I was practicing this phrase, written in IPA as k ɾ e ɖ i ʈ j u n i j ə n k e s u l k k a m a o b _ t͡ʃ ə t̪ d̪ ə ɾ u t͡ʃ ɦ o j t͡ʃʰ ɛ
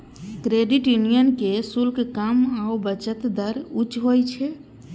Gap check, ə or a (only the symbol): ə